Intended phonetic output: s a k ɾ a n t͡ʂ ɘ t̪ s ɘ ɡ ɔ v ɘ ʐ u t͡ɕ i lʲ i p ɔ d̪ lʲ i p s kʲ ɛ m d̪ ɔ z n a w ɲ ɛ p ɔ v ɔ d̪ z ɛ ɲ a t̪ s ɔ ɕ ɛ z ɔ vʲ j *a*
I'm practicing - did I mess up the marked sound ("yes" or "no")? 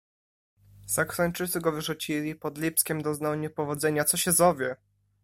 yes